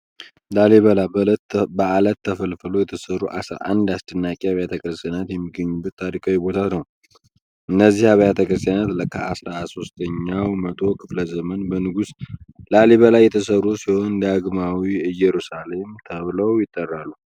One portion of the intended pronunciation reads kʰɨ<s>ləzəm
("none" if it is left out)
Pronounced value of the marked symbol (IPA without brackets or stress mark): f